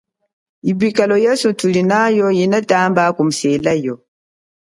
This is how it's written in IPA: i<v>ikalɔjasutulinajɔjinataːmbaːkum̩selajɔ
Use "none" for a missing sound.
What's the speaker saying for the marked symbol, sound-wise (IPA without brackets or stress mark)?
b